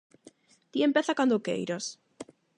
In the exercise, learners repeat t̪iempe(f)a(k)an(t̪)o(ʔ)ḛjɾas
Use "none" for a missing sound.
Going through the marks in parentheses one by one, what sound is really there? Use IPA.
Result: θ, k, d̪, k

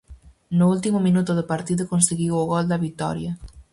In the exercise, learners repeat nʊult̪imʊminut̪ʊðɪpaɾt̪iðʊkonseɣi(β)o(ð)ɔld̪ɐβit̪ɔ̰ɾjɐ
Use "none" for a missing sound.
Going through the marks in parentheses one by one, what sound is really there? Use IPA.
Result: w, ɣ

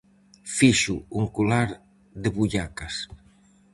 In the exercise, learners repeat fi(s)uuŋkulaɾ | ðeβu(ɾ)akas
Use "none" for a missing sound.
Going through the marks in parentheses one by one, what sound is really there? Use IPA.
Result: ʃ, ʎ

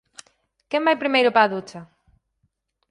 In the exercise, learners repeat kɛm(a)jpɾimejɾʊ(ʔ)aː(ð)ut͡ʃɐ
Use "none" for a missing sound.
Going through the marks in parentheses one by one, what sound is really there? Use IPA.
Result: a, p, ð

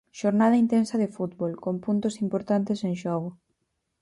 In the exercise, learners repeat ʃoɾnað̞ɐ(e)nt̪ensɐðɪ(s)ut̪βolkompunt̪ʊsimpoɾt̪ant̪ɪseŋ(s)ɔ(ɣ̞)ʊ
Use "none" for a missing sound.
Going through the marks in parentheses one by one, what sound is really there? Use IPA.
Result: i, f, ʃ, ɣ̞

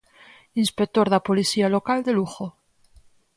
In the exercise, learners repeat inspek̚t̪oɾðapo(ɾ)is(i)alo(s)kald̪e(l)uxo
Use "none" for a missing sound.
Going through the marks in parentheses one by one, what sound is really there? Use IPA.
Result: l, i, none, l

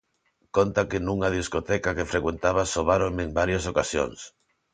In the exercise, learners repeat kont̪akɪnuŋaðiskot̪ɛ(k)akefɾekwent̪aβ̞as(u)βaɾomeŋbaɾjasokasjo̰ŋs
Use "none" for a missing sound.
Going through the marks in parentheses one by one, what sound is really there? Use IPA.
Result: k, o

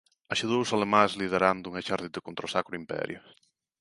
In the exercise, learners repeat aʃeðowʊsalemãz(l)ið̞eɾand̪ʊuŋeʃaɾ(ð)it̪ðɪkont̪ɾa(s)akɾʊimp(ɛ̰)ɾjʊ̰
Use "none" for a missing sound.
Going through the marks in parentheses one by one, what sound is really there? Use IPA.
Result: l, ð, s, ɛ̰

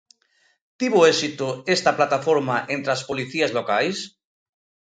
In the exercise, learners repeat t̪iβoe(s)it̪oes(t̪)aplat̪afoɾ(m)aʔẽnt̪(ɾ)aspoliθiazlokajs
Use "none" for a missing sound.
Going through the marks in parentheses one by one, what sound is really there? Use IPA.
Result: s, t̪, m, ɾ

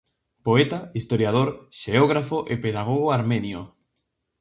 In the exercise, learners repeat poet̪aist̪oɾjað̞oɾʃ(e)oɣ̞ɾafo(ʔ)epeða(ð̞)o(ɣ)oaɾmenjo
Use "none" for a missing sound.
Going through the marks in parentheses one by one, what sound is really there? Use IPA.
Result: e, ʔ, ɣ̞, ɣ

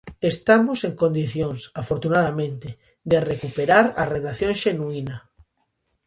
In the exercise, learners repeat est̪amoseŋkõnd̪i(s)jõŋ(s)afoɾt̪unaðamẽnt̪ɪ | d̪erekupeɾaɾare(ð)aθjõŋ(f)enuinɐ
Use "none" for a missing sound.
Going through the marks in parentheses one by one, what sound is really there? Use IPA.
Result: θ, s, ð, ʃ

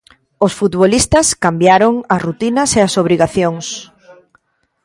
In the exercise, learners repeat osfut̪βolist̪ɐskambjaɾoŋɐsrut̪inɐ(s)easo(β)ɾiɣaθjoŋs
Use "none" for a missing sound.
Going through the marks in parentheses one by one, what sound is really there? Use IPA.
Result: s, β

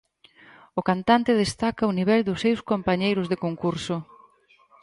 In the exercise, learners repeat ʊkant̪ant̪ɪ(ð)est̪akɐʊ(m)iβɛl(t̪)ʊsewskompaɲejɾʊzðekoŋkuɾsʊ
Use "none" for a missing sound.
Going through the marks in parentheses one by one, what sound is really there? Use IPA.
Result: ð, n, d̪

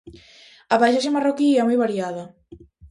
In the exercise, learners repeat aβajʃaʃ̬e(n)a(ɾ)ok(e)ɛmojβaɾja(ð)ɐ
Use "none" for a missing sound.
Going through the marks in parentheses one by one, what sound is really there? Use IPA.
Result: m, r, i, ð

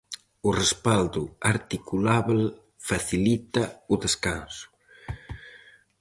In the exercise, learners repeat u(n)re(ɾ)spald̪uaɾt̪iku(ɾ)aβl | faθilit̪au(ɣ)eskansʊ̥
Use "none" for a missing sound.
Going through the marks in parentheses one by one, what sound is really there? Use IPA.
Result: none, none, l, ð

